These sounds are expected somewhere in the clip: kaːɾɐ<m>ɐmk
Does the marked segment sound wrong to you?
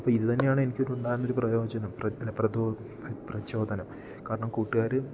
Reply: yes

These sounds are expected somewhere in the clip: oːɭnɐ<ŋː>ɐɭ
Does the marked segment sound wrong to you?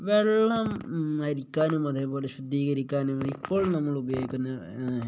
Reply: yes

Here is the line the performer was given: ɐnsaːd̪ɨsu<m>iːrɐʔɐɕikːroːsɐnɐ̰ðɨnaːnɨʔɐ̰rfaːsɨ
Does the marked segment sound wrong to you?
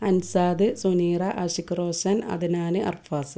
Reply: yes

